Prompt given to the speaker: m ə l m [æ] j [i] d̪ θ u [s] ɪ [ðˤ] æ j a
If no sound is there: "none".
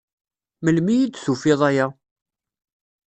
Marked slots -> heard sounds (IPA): i, i, f, ðˤ

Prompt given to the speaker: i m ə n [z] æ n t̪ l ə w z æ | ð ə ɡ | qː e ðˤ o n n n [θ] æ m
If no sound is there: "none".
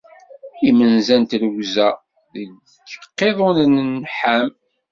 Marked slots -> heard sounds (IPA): z, ħ

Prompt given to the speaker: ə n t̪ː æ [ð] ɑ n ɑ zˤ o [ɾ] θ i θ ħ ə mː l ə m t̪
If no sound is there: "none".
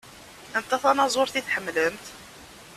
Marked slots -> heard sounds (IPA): θ, ɾ

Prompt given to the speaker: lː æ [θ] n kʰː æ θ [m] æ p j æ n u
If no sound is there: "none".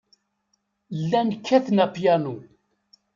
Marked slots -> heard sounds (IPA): none, n

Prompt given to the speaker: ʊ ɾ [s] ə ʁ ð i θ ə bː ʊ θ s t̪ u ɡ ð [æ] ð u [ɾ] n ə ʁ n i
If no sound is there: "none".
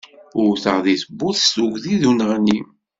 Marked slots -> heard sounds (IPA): θ, i, none

